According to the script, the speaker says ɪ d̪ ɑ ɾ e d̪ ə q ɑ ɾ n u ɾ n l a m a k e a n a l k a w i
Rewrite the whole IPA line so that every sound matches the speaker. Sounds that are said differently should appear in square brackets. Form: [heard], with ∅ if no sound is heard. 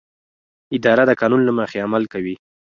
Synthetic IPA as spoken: ɪ d̪ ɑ ɾ [a] d̪ ə [k] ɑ [∅] n u [∅] n l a m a [x] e a [m] a l k a w i